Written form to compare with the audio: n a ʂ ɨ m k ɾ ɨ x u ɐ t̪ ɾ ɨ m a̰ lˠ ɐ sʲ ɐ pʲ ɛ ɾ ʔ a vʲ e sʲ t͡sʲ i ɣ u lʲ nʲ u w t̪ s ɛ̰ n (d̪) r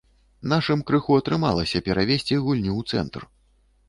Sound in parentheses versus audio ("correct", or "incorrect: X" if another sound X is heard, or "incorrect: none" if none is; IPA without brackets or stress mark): incorrect: t̪